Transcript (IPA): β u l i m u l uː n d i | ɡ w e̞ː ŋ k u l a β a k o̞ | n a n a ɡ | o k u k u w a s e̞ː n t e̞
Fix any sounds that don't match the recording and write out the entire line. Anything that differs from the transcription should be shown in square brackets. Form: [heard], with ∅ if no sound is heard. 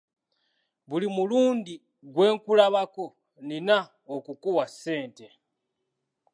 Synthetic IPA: β u l i m u l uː n d i | ɡ w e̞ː ŋ k u l a β a k o̞ | n [i] n a [∅] | o k u k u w a s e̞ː n t e̞